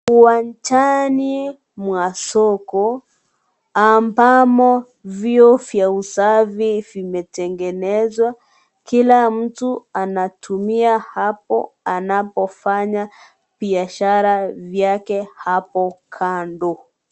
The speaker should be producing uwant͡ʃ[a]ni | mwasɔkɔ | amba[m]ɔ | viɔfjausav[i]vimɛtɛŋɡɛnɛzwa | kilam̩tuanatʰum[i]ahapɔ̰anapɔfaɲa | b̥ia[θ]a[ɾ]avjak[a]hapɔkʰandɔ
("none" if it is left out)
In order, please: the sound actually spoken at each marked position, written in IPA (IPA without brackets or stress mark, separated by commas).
a, m, i, i, ʃ, ɾ, ɛ